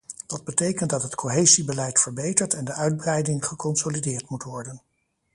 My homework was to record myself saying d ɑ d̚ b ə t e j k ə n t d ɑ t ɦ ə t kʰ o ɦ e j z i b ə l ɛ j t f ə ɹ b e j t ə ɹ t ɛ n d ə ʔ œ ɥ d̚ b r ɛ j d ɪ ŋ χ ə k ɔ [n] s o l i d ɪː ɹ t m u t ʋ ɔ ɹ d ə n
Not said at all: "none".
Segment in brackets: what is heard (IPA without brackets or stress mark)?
n